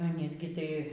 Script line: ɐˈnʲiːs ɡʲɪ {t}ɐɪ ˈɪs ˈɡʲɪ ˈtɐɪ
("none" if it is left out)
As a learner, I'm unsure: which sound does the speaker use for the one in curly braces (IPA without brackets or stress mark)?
t